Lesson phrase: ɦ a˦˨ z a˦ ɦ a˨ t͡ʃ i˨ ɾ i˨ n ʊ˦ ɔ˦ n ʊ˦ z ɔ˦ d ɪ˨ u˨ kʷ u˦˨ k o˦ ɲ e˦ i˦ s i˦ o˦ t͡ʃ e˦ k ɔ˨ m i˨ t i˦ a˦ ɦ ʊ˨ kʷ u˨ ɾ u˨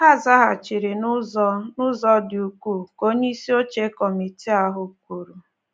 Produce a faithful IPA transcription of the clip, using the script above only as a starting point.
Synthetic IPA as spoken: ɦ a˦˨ z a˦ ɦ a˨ t͡ʃ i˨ ɾ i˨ n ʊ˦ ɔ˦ n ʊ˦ z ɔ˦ d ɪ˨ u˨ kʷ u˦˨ k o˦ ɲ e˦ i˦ s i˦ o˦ t͡ʃ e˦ k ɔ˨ m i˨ t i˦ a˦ ɦ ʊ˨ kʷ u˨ ɾ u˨